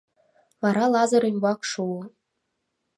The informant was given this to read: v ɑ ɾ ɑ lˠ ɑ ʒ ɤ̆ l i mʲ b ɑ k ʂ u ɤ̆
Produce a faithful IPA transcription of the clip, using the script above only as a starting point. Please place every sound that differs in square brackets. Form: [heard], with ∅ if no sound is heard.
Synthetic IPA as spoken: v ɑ ɾ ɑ lˠ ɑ [z] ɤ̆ [ɾ] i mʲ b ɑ k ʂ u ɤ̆